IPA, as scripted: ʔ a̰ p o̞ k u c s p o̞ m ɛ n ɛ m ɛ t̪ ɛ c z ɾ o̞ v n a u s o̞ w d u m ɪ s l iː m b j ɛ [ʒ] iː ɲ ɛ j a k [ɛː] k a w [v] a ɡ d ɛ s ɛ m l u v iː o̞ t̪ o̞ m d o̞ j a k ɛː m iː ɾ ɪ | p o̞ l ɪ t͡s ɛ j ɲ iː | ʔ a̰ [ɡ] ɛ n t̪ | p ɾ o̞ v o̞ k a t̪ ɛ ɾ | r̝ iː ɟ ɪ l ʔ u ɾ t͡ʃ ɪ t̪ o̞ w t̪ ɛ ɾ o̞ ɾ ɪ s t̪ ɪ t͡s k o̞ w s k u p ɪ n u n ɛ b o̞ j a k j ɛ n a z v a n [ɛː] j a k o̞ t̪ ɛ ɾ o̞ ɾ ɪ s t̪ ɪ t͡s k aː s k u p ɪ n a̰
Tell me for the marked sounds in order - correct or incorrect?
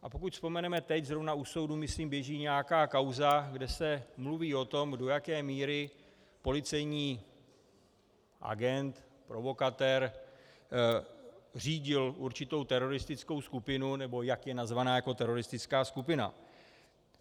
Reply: correct, incorrect, incorrect, correct, incorrect

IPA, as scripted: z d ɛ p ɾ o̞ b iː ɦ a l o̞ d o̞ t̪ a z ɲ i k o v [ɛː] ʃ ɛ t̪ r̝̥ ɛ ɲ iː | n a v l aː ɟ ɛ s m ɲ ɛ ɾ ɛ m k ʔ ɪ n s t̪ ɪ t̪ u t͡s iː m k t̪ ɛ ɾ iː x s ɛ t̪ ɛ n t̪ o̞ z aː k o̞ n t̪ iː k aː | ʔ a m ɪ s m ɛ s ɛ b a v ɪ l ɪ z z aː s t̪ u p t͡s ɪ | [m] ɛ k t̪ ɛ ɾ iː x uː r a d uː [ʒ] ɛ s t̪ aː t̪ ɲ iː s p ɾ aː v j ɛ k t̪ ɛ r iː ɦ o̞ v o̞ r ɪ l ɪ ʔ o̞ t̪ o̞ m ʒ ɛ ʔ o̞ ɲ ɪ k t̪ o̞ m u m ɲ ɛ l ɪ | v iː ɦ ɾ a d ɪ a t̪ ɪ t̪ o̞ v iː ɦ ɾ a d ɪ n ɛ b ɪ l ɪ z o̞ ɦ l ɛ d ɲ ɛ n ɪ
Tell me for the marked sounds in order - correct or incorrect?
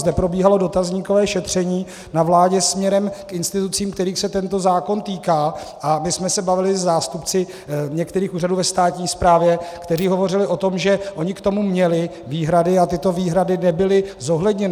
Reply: correct, incorrect, incorrect

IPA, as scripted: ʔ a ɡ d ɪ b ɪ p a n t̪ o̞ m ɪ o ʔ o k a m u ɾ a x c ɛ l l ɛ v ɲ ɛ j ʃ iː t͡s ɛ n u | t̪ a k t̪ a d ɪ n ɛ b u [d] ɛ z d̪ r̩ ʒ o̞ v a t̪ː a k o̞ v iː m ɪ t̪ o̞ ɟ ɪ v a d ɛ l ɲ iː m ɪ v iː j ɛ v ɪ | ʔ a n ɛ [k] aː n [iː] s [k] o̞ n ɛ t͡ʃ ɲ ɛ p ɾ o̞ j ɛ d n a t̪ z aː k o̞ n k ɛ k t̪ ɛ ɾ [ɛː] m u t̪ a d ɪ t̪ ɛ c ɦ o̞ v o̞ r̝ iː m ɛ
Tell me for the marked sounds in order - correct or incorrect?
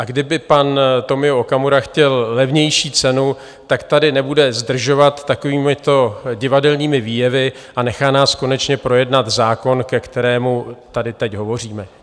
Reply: correct, incorrect, incorrect, correct, correct

